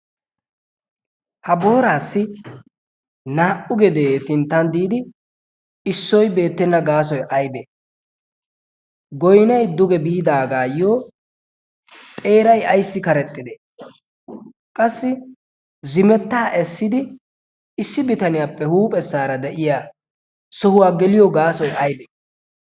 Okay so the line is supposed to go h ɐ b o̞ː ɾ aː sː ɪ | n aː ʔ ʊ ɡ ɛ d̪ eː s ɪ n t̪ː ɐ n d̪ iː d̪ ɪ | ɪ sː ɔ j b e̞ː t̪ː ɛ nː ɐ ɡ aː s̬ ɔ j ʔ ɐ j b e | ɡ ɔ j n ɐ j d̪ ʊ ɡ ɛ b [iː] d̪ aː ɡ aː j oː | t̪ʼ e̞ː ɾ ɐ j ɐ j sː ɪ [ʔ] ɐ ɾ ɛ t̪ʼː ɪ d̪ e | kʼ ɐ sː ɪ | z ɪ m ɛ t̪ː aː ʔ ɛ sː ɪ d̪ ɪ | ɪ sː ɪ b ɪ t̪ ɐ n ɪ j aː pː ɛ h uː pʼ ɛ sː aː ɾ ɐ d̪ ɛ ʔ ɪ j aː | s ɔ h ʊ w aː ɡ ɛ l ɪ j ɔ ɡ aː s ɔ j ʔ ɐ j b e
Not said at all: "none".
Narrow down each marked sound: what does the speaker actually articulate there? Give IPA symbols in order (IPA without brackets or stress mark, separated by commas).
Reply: iː, k